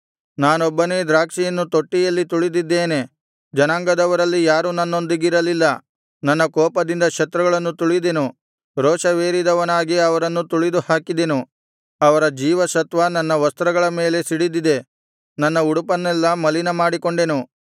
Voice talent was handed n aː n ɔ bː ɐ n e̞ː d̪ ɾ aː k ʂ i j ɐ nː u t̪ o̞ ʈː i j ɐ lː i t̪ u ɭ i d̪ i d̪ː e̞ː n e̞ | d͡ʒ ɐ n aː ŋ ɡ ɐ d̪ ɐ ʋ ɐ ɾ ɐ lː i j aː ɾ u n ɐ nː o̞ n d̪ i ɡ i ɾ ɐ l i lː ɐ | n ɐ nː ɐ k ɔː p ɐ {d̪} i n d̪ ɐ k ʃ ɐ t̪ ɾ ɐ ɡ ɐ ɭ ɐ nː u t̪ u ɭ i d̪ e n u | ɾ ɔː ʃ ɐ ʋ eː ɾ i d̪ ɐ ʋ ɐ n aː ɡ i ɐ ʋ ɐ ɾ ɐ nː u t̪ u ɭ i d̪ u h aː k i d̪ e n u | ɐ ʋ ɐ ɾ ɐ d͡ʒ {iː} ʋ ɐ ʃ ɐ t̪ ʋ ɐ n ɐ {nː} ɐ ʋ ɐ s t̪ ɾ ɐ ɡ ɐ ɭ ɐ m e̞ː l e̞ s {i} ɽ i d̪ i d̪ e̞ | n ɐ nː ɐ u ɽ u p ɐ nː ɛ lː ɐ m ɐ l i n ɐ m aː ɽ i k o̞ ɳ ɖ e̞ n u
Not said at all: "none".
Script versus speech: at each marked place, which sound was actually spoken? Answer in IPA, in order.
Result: d̪, iː, nː, i

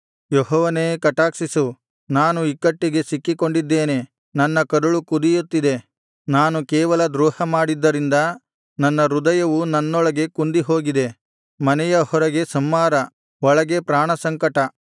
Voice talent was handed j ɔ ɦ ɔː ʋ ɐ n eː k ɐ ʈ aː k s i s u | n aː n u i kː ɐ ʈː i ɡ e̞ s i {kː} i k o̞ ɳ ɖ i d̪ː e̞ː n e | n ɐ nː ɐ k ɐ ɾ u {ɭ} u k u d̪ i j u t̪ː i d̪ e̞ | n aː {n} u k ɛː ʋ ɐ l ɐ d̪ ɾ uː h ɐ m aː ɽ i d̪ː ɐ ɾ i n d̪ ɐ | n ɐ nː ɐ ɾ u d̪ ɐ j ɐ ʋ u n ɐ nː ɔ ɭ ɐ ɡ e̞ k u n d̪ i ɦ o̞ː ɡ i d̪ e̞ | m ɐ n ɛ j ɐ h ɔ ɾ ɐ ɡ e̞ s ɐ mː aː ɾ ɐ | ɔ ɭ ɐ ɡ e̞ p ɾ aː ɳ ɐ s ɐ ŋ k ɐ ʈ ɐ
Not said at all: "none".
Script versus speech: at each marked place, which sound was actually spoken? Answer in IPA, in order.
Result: kː, ɭ, n

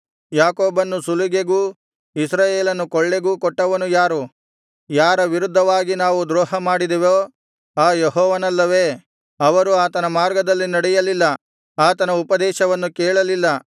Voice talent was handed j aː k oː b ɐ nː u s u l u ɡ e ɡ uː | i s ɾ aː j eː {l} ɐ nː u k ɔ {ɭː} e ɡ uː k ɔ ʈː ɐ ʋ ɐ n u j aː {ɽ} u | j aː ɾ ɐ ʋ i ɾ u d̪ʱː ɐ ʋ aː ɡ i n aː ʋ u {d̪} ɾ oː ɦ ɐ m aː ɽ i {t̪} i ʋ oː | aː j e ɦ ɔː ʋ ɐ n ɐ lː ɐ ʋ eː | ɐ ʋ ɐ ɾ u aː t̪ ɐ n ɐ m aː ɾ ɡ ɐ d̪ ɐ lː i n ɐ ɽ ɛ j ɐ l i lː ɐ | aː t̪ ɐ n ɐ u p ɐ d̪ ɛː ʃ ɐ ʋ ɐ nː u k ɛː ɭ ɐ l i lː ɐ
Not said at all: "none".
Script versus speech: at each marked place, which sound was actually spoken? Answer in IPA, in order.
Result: l, ɭː, ɾ, d̪, d̪

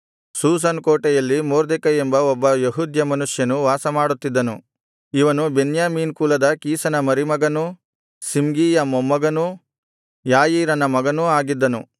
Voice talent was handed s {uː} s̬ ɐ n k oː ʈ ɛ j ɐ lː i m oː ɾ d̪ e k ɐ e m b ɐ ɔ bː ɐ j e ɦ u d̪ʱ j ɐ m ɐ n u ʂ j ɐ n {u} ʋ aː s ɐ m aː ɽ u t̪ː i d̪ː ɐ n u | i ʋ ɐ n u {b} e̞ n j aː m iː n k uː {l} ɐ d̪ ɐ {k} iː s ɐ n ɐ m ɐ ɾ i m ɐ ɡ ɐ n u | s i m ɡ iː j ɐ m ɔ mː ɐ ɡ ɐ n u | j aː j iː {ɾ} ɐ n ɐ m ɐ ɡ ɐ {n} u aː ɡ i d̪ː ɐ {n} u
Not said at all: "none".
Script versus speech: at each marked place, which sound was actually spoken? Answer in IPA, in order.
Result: uː, u, b, l, k, ɾ, n, n

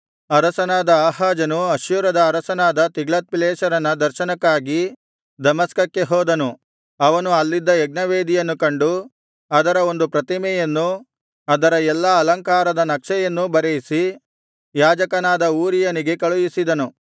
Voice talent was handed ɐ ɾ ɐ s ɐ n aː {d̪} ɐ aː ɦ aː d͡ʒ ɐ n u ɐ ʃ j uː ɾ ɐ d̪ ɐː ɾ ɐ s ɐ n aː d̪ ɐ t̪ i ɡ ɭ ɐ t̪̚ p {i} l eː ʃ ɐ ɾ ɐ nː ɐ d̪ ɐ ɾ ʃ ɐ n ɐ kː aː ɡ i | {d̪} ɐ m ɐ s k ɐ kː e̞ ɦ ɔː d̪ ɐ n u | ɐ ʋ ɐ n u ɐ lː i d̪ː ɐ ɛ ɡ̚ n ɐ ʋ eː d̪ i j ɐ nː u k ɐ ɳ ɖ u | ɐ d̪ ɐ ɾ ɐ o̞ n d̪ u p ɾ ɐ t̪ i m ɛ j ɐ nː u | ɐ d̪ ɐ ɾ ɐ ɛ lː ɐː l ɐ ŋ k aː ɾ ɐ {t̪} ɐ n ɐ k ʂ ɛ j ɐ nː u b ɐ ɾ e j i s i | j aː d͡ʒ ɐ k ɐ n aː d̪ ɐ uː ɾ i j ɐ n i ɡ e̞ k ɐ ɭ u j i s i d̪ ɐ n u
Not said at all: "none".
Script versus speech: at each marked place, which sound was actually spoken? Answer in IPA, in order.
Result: d̪, i, d̪, d̪

